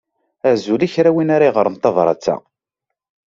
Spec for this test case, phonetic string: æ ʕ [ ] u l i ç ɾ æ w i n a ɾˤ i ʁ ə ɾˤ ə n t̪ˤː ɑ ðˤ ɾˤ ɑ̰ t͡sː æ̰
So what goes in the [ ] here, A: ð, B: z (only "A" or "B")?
B